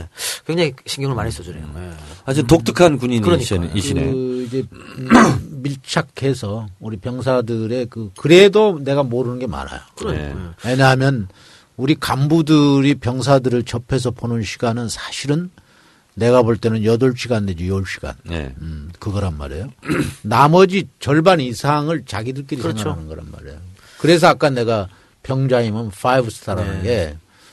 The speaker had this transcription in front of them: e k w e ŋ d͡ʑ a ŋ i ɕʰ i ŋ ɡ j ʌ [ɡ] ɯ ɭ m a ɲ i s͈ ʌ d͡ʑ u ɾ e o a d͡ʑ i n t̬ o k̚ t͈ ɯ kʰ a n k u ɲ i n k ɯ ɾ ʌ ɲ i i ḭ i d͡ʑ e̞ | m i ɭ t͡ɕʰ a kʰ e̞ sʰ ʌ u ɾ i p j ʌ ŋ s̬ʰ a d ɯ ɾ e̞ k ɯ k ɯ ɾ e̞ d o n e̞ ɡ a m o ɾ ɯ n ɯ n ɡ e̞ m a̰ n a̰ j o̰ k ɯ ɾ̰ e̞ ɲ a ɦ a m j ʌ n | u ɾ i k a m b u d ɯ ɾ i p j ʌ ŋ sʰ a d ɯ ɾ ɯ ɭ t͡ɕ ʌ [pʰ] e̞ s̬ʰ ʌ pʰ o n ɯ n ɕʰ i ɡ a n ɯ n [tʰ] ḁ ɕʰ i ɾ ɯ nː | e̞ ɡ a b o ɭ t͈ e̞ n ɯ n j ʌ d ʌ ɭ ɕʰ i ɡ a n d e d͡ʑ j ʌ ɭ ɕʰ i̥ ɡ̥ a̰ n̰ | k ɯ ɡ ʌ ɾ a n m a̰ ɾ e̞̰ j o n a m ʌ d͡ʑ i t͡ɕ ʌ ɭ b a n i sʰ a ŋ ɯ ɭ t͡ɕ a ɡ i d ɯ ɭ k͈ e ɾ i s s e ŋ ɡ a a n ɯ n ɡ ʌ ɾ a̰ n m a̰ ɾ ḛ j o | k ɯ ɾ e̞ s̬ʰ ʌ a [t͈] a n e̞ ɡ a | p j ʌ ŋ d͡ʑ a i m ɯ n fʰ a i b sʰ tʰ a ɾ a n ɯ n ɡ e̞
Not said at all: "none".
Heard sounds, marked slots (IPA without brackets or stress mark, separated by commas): ŋ, pʰ, sʰ, k͈